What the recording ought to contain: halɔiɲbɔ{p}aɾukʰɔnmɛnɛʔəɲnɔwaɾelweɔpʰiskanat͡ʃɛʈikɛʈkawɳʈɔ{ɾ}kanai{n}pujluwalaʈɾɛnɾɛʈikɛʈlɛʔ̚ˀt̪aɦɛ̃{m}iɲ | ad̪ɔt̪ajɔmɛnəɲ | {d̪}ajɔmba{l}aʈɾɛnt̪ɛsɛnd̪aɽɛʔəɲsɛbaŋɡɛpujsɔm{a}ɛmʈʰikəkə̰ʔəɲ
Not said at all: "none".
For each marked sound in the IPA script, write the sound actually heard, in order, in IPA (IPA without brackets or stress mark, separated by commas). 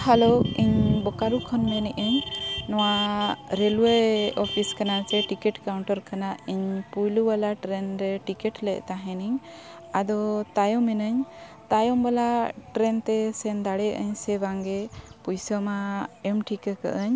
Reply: k, ɾ, ɲ, n, t̪, l, a